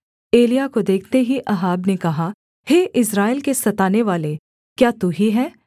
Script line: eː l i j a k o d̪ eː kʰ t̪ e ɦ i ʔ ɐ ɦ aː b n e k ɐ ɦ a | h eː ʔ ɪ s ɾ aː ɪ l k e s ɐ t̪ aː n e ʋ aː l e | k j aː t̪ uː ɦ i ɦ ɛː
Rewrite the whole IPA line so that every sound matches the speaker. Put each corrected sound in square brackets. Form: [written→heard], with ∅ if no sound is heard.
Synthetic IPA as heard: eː l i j a k o d̪ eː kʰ t̪ e ɦ i ʔ ɐ ɦ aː b n e k ɐ ɦ a | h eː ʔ ɪ s ɾ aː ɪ l k e s ɐ t̪ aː n e ʋ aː l e | k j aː t̪ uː ɦ i ɦ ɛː